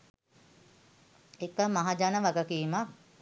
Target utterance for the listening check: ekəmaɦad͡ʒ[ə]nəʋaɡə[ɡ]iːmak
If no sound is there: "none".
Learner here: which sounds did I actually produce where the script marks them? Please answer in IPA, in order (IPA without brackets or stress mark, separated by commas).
a, k